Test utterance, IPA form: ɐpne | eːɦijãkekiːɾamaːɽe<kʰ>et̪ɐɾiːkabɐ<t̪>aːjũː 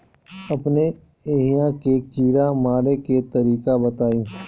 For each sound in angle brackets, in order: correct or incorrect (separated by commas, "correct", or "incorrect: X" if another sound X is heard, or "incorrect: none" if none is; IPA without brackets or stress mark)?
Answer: incorrect: k, correct